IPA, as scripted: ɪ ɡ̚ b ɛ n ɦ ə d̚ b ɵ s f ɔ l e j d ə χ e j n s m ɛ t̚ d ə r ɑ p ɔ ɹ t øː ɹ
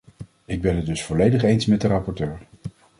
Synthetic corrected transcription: ɪ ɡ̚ b ɛ n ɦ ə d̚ d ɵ s f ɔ l e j d ə χ e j n s m ɛ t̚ d ə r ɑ p ɔ ɹ t øː ɹ